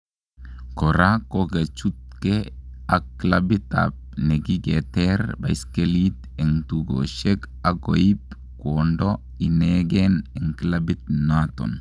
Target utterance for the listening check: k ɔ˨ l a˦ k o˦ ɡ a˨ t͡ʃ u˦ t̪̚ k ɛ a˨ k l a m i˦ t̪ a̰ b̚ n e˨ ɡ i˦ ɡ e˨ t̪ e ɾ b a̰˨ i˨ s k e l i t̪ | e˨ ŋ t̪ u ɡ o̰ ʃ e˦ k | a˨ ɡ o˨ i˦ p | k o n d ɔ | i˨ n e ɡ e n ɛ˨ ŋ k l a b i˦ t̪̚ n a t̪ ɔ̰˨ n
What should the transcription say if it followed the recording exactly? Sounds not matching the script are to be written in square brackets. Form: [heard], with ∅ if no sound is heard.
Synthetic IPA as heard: k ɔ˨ [ɾ] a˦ k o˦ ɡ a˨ t͡ʃ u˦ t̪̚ k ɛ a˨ k l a [b] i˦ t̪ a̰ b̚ n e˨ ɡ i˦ ɡ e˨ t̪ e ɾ b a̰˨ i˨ s k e l i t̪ | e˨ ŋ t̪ u ɡ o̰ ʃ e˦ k | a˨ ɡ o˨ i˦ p | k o n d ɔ | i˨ n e ɡ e n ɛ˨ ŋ k l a b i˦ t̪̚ n a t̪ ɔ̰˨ n